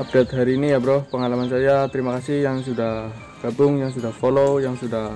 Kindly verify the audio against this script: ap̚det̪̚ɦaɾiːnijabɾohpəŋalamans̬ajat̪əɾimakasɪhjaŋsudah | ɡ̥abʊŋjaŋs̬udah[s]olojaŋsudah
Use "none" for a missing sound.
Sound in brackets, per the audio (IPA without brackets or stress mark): f